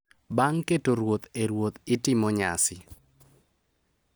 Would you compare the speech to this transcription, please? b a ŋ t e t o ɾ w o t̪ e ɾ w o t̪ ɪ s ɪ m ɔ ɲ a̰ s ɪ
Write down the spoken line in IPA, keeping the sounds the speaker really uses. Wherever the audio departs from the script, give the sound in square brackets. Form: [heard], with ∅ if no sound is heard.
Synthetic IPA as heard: b a ŋ [k] e t o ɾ w o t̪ e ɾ w o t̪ ɪ [t] ɪ m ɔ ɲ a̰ s ɪ